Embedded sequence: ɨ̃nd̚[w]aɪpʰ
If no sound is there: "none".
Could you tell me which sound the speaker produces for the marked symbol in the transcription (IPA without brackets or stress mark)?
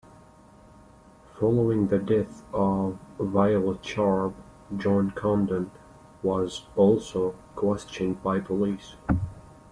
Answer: b